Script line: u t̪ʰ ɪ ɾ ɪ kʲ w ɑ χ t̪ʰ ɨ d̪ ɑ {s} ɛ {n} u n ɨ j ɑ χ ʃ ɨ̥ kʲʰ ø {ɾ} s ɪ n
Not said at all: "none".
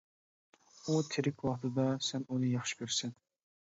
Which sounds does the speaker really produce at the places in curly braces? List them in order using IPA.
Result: s, n, ɾ

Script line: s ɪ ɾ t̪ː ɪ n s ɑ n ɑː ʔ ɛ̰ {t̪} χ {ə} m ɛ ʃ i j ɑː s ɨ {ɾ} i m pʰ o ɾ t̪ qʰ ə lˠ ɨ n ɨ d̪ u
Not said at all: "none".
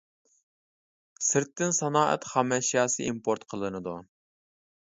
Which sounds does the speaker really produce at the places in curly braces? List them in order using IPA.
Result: t̪, ɑ, none

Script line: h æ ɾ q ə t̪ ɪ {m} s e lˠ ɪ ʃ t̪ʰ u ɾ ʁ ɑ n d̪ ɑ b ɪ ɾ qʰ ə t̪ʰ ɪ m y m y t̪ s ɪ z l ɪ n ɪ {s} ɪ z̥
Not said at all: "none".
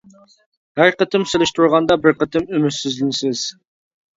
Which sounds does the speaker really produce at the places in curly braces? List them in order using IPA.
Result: m, s

